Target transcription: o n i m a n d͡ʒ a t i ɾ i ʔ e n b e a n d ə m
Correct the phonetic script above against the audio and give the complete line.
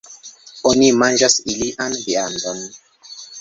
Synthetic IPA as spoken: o n i m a n d͡ʒ a s i l i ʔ a n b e a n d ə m